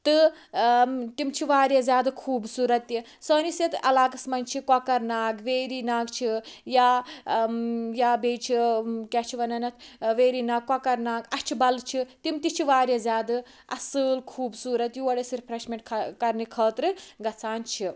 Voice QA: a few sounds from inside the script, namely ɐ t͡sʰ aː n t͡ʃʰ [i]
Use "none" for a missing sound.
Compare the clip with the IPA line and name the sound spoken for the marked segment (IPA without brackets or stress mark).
i